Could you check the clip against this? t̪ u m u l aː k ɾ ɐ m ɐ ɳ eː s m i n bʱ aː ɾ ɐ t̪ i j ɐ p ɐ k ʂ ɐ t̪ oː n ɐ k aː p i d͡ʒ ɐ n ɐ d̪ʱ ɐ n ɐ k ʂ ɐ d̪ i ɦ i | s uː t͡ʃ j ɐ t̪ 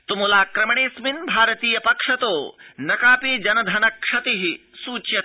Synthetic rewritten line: t̪ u m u l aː k ɾ ɐ m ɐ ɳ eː s m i n bʱ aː ɾ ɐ t̪ iː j ɐ p ɐ k ʂ ɐ t̪ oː n ɐ k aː p i d͡ʒ ɐ n ɐ d̪ʱ ɐ n ɐ k ʂ ɐ t̪ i ɦ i | s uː t͡ʃ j ɐ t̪